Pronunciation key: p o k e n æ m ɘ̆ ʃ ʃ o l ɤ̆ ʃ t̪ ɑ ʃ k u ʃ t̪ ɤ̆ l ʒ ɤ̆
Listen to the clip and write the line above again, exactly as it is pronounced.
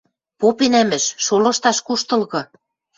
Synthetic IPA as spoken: p o p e n æ m ɘ̆ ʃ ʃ o l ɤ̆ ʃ t̪ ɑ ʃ k u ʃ t̪ ɤ̆ l ɣ ɤ̆